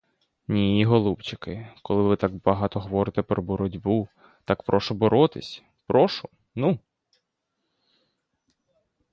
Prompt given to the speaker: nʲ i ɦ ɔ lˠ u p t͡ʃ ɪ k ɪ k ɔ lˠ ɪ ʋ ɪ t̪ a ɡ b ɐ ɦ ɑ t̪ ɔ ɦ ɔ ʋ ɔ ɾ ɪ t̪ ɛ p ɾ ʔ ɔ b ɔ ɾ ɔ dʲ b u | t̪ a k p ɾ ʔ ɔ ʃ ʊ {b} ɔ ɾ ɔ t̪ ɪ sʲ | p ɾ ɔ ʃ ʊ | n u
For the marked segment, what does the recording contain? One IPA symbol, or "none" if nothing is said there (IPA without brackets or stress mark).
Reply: b